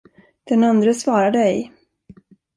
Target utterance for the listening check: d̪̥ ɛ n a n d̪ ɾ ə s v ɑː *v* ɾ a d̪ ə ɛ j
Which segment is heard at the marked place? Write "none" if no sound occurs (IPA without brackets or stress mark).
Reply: none